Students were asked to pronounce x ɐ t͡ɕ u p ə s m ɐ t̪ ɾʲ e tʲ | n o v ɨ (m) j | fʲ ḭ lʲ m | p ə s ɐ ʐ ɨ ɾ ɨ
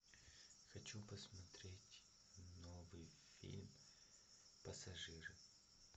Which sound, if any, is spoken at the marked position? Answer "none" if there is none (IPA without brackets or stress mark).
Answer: none